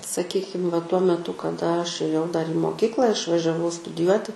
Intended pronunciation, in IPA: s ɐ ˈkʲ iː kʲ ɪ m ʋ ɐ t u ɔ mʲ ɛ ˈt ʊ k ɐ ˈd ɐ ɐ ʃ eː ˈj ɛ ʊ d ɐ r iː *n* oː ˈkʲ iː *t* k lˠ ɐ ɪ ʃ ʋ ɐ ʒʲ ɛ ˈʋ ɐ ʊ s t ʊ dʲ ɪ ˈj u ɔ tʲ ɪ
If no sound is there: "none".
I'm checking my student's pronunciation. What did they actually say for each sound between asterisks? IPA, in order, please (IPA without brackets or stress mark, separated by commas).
m, none